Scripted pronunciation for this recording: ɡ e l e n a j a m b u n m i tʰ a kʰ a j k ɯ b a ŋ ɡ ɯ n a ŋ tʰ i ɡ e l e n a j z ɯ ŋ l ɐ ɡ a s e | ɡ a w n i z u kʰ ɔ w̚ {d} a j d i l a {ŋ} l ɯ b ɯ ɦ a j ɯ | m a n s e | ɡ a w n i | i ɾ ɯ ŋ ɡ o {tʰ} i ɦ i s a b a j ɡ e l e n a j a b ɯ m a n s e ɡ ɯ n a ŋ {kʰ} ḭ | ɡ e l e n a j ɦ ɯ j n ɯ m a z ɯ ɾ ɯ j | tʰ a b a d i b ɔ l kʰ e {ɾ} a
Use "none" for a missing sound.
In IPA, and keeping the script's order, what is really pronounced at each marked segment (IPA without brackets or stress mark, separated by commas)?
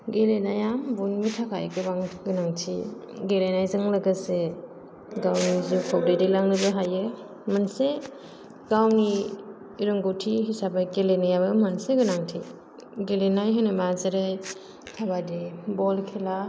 d, ŋ, tʰ, tʰ, l